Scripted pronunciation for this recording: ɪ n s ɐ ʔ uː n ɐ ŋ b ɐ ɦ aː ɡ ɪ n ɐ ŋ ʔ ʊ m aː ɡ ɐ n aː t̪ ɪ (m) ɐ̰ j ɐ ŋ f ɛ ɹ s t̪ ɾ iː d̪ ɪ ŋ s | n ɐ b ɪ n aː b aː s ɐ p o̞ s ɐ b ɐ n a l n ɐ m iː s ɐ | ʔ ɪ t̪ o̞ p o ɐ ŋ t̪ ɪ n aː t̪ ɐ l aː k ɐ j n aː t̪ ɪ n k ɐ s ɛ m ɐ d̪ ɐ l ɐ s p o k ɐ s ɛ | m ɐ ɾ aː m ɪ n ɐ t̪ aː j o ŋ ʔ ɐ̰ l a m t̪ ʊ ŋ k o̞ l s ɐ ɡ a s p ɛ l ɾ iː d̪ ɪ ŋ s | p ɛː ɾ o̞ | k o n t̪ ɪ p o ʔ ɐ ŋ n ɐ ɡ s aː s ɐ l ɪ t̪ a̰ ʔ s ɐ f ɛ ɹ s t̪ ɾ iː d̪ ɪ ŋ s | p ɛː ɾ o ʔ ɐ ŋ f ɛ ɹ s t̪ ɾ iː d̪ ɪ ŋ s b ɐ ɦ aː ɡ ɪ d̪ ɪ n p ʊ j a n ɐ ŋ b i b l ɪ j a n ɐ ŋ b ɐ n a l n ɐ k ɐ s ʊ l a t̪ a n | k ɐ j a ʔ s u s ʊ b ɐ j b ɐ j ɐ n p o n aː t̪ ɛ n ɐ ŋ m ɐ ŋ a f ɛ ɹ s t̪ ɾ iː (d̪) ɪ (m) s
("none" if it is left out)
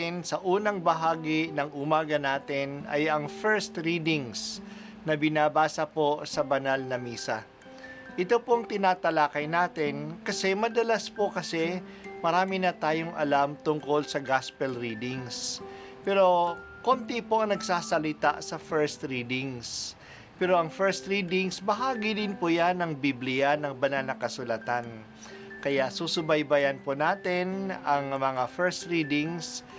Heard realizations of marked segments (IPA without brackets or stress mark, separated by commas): n, d̪, ŋ